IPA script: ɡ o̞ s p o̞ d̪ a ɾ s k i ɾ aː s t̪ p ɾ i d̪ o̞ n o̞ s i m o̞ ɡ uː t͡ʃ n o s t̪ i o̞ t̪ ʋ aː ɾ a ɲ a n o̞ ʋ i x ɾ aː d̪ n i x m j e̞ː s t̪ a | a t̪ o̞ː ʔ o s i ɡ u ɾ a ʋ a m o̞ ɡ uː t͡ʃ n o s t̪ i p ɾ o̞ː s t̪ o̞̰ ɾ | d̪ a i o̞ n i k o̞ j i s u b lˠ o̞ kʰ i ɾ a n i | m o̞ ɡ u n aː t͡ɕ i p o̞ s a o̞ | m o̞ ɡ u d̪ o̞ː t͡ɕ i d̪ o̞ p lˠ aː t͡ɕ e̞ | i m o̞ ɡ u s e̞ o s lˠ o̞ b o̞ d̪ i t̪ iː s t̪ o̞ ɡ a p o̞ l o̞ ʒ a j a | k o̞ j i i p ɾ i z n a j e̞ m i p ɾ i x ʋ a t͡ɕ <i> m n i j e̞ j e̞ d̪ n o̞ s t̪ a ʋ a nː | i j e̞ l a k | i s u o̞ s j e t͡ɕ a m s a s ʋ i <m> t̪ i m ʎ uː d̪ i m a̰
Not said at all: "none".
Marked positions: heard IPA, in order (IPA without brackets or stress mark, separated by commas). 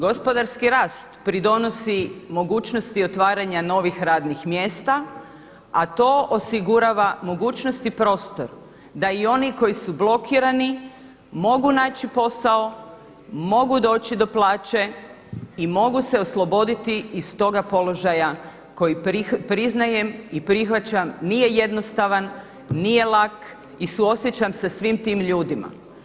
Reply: a, m